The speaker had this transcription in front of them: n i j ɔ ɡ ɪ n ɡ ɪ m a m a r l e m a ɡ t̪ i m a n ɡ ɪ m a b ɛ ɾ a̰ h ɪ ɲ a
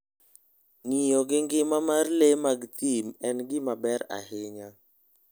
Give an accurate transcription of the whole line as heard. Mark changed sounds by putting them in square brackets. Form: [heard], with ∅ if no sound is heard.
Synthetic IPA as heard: n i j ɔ ɡ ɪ [ŋ] ɡ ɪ m a m a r l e m a ɡ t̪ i m [ɛ] n ɡ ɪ m a b ɛ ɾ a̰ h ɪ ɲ a